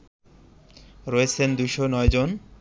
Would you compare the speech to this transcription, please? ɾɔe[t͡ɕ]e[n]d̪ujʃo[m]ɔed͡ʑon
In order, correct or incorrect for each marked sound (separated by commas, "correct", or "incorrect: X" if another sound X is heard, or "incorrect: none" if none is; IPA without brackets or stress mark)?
incorrect: t͡ɕʰ, correct, incorrect: n